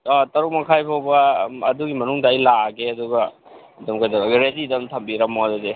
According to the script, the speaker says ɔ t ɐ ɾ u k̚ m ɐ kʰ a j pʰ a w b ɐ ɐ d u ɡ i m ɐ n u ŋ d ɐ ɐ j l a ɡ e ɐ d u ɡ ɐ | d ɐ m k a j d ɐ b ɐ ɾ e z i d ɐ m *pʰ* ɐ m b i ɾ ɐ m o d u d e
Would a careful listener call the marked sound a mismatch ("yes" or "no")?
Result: yes